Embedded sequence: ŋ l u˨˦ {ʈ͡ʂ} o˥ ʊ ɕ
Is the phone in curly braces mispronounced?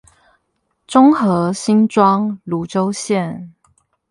no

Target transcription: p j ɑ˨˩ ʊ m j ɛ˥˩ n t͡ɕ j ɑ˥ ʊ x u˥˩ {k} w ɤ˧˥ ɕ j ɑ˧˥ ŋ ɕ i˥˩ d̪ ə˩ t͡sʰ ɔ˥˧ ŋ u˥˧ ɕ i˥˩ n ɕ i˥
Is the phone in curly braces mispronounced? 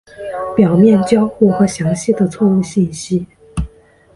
yes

